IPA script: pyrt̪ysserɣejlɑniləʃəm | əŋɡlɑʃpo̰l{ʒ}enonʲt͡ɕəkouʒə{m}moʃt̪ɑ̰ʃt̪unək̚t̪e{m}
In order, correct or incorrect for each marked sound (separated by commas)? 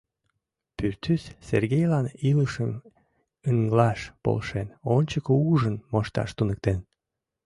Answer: incorrect, incorrect, incorrect